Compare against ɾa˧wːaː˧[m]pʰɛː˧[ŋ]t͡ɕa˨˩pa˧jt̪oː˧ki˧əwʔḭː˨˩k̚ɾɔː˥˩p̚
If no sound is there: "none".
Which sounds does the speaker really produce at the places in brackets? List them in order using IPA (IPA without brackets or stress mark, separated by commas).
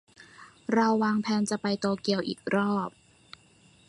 ŋ, n